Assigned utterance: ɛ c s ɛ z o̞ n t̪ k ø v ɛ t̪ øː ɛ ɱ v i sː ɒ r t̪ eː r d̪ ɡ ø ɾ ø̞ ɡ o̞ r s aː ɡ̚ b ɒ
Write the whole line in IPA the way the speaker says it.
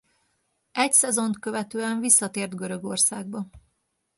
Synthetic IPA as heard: ɛ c s ɛ z o̞ n t̪ k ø v ɛ t̪ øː ɛ ɱ v i sː ɒ t̪ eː r d̪ ɡ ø ɾ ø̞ ɡ o̞ r s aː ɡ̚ b ɒ